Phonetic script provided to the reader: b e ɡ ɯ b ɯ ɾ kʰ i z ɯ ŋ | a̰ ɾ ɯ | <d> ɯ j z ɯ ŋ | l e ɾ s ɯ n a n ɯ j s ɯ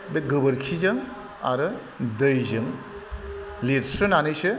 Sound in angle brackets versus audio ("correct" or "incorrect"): correct